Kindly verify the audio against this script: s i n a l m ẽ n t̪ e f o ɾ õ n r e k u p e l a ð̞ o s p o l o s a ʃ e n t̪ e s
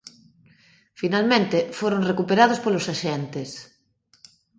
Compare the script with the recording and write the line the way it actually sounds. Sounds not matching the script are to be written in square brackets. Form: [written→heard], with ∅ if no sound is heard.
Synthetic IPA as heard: [s→f] i n a l m ẽ n t̪ e f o ɾ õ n r e k u p e [l→ɾ] a ð̞ o s p o l o s a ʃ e n t̪ e s